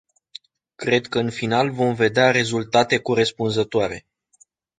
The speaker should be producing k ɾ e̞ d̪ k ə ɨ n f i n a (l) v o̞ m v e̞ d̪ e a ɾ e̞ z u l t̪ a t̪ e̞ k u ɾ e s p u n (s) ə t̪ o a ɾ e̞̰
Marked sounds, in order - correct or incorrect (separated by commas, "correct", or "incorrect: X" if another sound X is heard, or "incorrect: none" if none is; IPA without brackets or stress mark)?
correct, incorrect: z